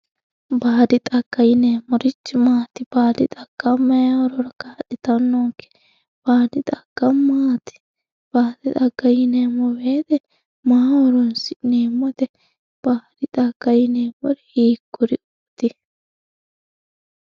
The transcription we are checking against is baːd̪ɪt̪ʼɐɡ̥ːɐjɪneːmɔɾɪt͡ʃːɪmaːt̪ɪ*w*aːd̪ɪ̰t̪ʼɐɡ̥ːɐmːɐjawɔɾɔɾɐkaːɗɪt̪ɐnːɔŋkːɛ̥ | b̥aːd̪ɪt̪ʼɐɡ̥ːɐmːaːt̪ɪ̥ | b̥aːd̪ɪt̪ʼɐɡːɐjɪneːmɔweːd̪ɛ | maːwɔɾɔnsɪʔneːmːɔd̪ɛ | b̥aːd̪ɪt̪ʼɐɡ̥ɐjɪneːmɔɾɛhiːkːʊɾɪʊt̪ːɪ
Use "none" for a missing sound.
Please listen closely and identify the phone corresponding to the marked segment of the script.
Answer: b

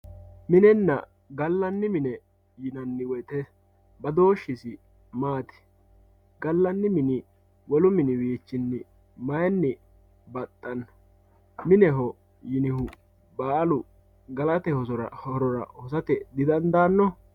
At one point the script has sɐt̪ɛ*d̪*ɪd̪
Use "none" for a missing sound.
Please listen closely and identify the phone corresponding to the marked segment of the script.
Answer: d̪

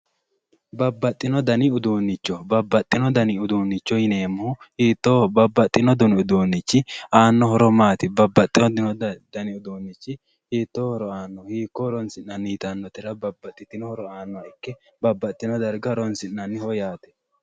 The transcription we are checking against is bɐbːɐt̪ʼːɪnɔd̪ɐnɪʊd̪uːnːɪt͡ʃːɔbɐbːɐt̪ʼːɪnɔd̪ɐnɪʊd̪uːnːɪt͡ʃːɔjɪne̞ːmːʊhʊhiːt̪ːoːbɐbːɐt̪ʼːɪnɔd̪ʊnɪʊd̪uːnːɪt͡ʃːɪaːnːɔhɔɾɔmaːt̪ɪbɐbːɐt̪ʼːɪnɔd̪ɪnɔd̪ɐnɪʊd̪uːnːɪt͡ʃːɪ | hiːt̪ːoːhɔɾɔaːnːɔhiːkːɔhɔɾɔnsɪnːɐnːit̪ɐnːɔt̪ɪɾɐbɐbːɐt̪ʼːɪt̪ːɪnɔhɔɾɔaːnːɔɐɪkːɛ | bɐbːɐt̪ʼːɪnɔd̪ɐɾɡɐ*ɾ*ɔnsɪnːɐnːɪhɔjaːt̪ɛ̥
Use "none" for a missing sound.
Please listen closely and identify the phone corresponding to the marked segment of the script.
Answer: ɾ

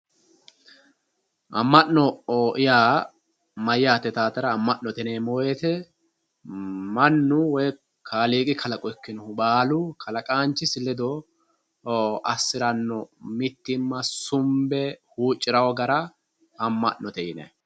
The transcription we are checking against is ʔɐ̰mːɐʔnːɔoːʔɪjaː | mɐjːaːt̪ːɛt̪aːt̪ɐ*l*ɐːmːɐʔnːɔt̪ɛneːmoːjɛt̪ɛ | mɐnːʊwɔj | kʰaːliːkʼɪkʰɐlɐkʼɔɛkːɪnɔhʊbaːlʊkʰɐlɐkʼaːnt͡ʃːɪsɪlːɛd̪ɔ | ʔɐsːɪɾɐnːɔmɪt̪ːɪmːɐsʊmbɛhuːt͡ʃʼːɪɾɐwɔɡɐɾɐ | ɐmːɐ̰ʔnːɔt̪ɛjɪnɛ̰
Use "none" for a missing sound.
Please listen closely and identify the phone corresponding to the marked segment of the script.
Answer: ɾ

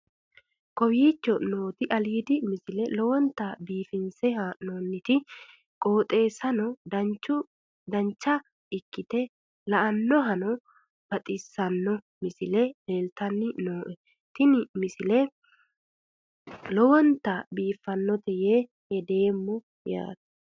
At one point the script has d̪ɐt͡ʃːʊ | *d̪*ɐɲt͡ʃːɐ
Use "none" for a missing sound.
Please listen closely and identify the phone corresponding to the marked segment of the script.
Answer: d̪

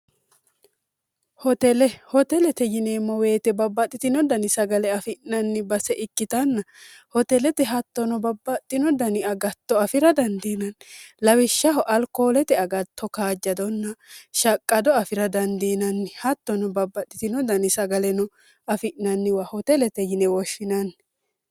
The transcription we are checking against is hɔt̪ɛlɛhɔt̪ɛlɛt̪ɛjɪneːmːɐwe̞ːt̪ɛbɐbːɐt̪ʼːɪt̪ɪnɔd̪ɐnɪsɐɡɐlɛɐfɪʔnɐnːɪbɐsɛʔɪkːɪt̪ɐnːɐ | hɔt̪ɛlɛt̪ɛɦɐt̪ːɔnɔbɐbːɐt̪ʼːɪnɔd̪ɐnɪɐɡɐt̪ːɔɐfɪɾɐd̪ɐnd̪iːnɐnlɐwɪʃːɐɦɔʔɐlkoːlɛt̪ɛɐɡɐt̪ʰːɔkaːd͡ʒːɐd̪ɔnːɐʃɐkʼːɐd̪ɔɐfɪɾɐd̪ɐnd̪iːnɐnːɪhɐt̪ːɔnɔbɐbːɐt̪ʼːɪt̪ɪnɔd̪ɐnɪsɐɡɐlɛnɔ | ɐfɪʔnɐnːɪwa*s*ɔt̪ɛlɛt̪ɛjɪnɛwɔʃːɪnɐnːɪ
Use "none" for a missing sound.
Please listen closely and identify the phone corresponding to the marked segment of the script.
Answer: h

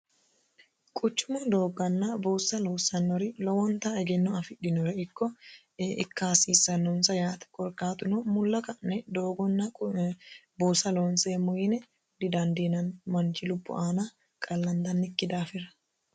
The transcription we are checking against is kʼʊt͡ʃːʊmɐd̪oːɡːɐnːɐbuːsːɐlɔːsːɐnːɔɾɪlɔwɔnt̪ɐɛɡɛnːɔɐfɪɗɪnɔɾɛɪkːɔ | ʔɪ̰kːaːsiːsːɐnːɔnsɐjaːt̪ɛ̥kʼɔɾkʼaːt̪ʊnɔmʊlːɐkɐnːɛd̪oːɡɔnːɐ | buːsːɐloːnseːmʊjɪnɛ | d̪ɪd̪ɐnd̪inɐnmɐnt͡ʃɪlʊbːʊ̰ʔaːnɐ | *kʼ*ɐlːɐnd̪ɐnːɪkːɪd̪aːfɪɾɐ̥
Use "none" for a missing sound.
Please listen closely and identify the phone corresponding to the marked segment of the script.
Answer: kʼ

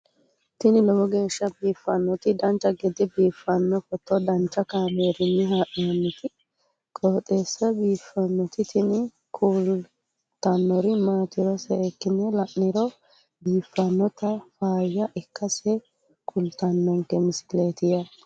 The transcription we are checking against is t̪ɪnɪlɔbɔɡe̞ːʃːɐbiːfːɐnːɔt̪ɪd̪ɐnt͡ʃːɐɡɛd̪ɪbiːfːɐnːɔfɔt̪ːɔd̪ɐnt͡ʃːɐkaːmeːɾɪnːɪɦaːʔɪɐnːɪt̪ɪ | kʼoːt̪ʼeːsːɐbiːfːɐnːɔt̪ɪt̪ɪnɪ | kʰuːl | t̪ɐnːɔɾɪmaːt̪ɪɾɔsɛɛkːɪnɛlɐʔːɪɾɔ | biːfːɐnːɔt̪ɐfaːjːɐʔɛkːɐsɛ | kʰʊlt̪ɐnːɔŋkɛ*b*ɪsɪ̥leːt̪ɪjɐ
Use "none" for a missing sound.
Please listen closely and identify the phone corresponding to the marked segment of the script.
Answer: m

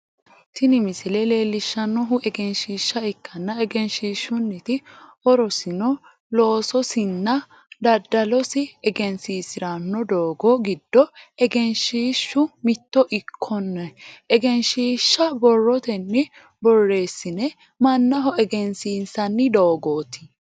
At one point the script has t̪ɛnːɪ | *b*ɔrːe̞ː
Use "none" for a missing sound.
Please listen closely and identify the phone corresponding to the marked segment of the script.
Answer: b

